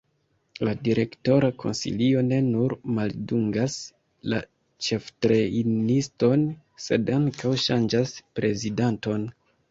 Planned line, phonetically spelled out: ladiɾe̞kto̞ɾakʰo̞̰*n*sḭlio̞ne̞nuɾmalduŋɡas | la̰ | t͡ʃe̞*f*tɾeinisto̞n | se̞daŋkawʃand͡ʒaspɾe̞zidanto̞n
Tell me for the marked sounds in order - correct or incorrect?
correct, correct

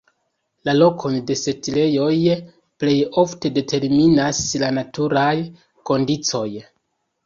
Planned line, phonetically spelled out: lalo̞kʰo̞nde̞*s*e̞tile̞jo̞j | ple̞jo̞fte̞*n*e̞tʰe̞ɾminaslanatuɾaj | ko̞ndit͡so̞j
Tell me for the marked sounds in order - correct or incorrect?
correct, incorrect

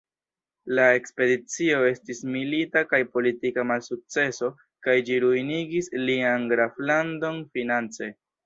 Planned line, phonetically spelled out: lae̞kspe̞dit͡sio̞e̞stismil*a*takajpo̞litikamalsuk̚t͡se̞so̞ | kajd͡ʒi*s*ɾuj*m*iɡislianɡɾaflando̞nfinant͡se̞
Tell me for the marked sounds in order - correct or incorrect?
incorrect, incorrect, incorrect

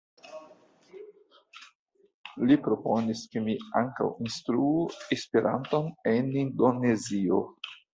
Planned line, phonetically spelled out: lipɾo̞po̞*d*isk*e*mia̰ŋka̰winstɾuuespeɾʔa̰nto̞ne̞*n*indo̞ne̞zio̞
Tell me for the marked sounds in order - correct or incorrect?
incorrect, correct, correct

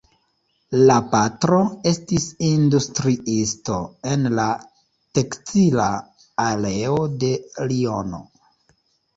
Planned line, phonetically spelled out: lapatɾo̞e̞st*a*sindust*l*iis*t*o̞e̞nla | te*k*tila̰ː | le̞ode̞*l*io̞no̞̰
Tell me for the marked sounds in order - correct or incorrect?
incorrect, incorrect, correct, correct, correct

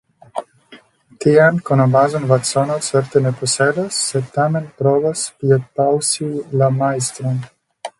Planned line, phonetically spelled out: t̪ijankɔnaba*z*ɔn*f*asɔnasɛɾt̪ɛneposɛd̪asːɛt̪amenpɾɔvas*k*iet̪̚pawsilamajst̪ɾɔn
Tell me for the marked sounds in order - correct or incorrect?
correct, incorrect, incorrect

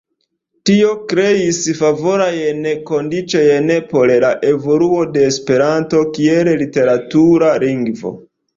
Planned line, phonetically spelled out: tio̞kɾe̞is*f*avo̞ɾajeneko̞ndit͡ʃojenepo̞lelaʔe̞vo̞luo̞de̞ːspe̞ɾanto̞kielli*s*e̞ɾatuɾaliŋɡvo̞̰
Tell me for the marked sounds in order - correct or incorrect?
correct, incorrect

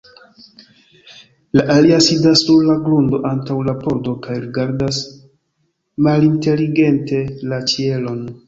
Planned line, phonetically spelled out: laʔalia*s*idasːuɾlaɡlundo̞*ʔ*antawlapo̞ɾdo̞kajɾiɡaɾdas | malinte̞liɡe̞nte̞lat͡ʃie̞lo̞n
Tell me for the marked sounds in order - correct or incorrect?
correct, correct

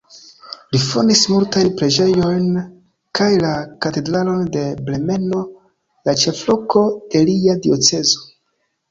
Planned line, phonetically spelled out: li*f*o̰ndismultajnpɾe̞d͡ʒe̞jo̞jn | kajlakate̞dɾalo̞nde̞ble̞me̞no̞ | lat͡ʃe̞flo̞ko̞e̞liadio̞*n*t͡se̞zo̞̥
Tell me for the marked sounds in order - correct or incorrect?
correct, incorrect

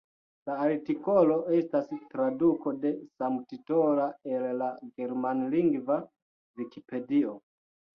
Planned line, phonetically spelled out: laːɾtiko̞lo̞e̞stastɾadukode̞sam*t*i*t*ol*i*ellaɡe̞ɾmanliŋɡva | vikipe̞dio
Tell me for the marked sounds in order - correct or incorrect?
correct, correct, incorrect

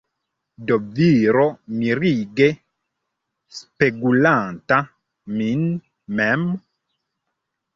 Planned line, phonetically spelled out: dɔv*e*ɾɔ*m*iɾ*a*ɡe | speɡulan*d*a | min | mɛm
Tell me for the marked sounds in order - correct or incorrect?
incorrect, correct, incorrect, incorrect

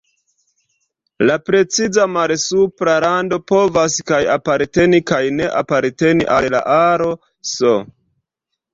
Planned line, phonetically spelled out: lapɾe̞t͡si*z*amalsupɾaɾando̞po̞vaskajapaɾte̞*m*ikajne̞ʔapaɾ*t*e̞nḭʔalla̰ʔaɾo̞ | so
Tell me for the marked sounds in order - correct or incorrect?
correct, incorrect, correct

